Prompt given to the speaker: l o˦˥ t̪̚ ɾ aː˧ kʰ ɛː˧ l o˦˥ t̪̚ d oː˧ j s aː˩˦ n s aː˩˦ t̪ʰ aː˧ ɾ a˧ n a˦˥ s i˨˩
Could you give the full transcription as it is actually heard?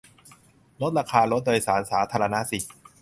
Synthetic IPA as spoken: l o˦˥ t̪̚ ɾ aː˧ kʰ aː˧ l o˦˥ t̪̚ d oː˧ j s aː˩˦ n s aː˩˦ t̪ʰ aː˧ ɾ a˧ n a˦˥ s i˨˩

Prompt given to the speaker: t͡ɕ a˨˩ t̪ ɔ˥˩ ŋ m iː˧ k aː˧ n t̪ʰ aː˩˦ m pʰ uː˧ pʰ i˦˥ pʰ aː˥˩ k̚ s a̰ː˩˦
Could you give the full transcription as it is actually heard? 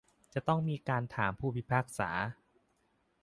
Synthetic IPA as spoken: t͡ɕ a˨˩ t̪ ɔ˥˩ ŋ m iː˧ k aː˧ n t̪ʰ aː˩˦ m pʰ uː˥˩ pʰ i˦˥ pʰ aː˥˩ k̚ s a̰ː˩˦

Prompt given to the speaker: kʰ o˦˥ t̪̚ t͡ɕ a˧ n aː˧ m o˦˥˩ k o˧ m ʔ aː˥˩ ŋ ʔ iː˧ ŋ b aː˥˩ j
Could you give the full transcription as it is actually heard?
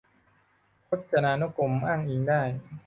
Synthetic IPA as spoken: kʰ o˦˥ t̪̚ t͡ɕ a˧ n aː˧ n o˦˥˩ k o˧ m ʔ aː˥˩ ŋ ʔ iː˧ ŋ d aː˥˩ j

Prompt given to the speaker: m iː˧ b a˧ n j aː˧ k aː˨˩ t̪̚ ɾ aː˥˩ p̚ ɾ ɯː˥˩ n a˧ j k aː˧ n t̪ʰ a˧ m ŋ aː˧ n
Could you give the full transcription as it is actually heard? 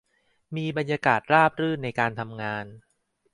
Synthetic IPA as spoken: m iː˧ b a˧ n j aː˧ k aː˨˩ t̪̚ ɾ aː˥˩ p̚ ɾ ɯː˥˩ n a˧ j k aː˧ n t̪ʰ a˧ m ŋ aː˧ n

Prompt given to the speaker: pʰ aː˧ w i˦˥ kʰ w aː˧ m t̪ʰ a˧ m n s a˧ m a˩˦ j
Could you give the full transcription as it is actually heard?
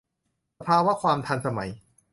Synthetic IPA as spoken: pʰ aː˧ w a˦˥ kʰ w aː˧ m t̪ʰ a˧ n s a˧ m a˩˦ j

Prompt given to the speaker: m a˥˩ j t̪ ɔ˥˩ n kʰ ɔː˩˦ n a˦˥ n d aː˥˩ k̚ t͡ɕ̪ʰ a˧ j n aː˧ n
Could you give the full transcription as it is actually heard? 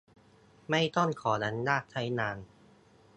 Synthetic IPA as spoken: m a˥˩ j t̪ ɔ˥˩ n kʰ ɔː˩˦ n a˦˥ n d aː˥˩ k̚ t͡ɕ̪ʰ a˦˥ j n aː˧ n

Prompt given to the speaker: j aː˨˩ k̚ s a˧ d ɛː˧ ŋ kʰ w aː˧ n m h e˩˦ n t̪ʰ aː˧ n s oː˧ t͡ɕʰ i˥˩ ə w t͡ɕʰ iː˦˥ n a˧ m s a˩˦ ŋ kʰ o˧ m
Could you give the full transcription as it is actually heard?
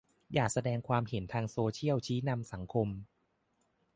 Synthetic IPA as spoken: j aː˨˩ k̚ s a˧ d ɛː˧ ŋ kʰ w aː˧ m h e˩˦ n t̪ʰ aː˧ ŋ s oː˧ t͡ɕʰ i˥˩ ə w t͡ɕʰ iː˦˥ n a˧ m s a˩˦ ŋ kʰ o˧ m

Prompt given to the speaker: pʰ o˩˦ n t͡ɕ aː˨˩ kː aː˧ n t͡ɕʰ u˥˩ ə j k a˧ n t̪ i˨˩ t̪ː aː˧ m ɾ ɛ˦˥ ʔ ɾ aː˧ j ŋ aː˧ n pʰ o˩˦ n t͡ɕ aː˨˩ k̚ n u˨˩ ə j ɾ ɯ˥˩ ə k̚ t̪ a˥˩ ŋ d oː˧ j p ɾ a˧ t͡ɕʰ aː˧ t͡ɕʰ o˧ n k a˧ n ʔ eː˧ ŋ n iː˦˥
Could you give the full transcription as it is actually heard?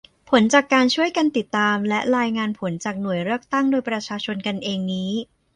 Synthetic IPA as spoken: pʰ o˩˦ n t͡ɕ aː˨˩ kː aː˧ n t͡ɕʰ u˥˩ ə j k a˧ n t̪ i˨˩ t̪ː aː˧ m l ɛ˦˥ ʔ ɾ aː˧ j ŋ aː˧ n pʰ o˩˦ n t͡ɕ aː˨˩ k̚ n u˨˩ ə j ɾ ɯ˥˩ ə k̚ t̪ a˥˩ ŋ d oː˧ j p ɾ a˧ t͡ɕʰ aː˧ t͡ɕʰ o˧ n k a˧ n ʔ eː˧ ŋ n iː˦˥

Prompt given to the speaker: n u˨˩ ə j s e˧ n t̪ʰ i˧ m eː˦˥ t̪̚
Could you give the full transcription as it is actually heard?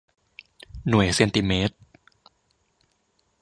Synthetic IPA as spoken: n u˨˩ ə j s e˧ n t̪ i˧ m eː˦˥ t̪̚

